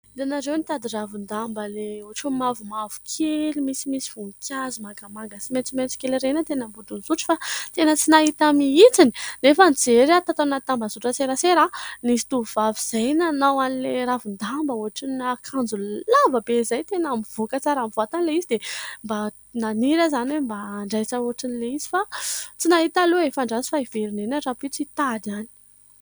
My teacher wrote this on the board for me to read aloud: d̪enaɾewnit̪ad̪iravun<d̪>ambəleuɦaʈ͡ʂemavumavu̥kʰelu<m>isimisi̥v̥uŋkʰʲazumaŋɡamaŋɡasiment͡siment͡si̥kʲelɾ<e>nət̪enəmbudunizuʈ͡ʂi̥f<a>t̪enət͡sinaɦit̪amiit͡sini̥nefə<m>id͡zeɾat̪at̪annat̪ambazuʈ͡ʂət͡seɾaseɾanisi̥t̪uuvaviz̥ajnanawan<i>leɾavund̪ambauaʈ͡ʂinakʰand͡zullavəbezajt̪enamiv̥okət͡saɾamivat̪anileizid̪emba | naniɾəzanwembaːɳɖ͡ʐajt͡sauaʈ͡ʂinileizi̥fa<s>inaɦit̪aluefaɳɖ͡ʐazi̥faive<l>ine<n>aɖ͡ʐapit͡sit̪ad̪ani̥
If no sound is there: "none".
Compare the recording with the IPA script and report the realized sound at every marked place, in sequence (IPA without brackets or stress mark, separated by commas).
d̪, m, e, a, n, i, t͡s, ɾ, n